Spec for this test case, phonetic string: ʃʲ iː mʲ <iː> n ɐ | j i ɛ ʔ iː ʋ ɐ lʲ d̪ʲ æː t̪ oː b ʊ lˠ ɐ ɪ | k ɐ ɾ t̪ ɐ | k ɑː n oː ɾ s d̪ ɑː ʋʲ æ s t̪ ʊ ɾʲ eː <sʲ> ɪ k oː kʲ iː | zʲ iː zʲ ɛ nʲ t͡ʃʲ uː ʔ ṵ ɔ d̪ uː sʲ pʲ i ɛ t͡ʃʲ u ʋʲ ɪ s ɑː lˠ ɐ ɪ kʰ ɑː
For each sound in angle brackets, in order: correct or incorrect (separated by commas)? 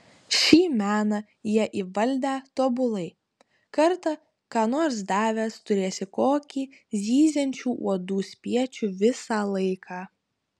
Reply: incorrect, correct